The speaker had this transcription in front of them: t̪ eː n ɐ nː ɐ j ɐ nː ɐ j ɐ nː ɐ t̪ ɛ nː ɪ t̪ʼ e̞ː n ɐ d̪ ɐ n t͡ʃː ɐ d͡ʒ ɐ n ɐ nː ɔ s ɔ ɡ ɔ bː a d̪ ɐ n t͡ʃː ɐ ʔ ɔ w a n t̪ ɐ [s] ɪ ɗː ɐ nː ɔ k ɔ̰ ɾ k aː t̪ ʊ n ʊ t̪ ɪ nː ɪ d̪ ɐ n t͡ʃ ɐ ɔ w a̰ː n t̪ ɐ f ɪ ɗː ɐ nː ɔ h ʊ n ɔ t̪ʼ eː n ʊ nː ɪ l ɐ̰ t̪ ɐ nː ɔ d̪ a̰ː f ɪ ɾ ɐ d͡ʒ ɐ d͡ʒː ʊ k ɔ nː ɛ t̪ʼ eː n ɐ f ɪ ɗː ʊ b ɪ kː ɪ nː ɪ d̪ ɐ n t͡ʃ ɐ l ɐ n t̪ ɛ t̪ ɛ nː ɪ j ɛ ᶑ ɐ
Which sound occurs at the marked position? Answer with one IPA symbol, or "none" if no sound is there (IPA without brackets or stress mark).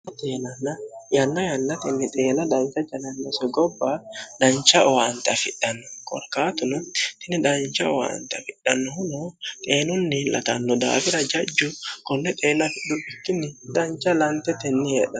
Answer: f